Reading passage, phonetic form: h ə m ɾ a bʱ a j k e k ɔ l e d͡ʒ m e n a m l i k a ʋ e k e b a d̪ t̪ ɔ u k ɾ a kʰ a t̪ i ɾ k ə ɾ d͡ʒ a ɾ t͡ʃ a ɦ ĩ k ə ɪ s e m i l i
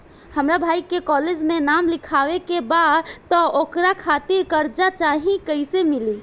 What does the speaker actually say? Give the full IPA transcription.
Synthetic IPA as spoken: h ə m ɾ a bʱ a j k e k ɔ l e d͡ʒ m e n a m l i kʰ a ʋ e k e b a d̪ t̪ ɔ o k ɾ a kʰ a t̪ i ɾ k ə ɾ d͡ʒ a t͡ʃ a ɦ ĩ k ə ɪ s e m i l i